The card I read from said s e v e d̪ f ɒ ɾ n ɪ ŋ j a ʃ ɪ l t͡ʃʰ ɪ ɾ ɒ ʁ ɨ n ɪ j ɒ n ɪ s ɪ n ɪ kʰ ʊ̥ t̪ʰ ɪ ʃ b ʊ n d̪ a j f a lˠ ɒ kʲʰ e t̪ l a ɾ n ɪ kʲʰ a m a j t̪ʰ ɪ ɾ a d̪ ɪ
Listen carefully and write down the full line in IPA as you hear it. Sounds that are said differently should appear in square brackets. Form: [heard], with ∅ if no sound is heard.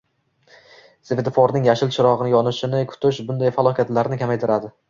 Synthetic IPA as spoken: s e v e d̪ f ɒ ɾ n ɪ ŋ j a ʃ ɪ l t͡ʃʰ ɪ ɾ ɒ ʁ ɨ n ɪ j ɒ n ɪ [ʃ] ɪ n ɪ kʰ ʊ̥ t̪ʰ ɪ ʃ b ʊ n d̪ a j f a lˠ ɒ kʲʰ [a] t̪ l a ɾ n ɪ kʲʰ a m a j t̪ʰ ɪ ɾ a d̪ ɪ